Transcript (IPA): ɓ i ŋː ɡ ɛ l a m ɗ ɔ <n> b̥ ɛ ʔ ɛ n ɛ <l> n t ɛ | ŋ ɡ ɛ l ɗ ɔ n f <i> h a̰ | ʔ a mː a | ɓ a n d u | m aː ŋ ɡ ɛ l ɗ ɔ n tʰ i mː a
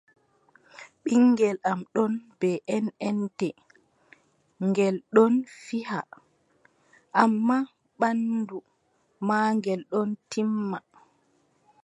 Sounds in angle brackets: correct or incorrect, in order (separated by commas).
correct, incorrect, correct